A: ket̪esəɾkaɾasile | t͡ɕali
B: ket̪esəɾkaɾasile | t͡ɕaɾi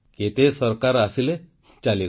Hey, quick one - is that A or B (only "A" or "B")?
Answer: A